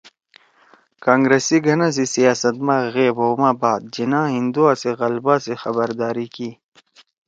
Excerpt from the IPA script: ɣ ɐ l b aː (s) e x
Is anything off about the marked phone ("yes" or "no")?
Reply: no